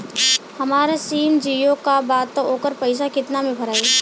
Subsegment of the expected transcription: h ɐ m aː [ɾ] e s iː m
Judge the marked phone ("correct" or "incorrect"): correct